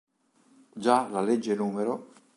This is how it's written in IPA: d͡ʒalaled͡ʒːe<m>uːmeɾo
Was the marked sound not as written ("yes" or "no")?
yes